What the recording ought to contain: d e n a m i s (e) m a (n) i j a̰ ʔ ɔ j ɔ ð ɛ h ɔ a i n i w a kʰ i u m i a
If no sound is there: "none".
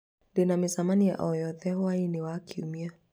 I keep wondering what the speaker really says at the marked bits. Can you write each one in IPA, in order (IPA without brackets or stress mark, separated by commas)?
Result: a, n